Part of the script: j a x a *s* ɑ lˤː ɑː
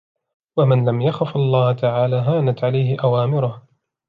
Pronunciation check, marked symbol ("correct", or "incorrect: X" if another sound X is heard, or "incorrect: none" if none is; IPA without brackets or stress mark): incorrect: f